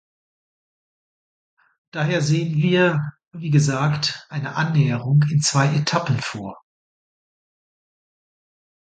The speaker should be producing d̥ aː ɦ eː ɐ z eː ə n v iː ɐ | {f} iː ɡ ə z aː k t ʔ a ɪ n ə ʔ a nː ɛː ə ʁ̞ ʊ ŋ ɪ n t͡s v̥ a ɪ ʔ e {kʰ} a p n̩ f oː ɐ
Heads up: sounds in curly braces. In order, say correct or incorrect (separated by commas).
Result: incorrect, incorrect